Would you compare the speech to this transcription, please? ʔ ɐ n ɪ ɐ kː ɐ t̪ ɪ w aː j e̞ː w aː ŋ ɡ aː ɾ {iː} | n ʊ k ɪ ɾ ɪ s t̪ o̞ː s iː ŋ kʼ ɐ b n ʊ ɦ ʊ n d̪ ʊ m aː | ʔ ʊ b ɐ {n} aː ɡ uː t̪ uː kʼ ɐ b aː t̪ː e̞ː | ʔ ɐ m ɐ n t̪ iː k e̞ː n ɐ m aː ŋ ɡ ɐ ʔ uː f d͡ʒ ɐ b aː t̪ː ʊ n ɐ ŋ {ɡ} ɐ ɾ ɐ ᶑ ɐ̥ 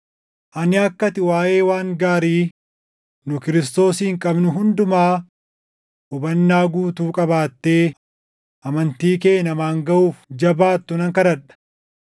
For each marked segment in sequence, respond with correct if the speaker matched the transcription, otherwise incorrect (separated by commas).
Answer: correct, incorrect, incorrect